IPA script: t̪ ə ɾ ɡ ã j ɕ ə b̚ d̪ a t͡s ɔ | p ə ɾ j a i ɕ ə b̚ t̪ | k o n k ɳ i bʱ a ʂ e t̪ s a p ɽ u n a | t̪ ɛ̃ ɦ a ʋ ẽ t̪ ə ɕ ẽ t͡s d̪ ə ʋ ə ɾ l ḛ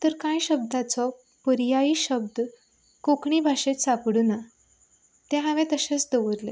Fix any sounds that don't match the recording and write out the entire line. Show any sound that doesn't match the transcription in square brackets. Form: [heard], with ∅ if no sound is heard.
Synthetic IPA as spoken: t̪ ə ɾ [k] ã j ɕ ə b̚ d̪ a t͡s ɔ | p ə ɾ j a i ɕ ə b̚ [d̪] | k o [∅] k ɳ i bʱ a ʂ e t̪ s a p ɽ u n a | t̪ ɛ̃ ɦ a ʋ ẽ t̪ ə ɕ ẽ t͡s d̪ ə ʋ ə ɾ l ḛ